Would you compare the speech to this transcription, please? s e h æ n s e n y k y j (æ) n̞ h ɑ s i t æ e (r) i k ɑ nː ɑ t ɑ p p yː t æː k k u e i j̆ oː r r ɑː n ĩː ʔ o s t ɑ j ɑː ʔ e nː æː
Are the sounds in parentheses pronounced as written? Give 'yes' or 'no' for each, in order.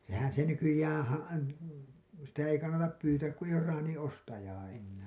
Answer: no, no

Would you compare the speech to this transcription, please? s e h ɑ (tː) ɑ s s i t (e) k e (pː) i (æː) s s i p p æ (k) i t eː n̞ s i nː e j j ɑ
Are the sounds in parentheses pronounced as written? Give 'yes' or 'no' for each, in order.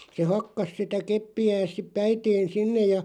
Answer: no, no, yes, yes, no

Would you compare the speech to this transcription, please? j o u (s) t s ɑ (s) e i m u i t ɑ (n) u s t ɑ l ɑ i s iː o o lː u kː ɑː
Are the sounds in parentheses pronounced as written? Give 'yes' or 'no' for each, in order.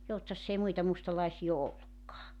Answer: no, no, no

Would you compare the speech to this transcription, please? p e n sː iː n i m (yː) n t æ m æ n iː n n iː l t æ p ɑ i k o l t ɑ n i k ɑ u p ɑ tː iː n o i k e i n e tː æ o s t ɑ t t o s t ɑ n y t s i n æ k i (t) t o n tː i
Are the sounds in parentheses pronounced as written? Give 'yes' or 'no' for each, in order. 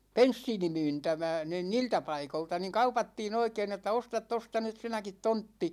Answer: yes, yes

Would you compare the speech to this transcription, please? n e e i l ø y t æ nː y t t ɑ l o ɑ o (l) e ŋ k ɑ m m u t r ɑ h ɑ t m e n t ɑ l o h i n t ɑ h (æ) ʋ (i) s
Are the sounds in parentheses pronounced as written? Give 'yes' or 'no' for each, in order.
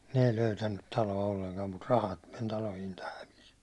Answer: no, yes, yes

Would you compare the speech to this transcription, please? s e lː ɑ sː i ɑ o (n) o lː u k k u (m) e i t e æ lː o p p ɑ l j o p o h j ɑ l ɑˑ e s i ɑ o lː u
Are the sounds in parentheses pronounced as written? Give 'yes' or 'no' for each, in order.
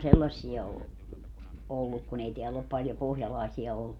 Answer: no, no

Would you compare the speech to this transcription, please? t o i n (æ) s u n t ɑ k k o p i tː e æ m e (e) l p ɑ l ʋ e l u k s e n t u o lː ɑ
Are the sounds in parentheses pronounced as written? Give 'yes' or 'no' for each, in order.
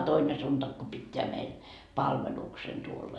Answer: no, no

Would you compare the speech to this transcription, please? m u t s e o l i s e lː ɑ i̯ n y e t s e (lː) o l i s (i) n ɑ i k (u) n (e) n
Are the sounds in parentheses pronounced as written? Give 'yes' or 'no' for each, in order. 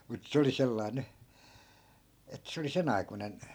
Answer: no, no, yes, yes

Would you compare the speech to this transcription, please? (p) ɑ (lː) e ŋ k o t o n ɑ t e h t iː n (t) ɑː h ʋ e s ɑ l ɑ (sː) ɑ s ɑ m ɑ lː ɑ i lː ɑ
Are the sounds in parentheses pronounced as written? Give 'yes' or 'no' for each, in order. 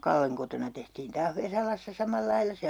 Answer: no, yes, yes, yes

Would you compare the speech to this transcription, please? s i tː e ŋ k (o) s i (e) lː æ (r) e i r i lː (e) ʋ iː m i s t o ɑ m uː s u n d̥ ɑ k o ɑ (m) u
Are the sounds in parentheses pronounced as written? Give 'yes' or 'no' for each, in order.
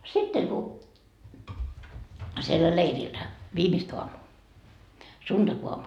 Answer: no, yes, no, no, yes

